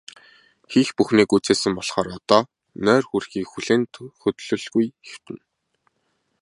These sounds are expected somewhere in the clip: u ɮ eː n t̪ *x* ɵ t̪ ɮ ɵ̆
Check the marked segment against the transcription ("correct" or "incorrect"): correct